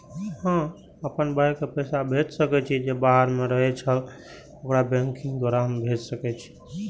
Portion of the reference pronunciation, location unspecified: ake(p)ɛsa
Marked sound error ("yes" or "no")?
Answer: no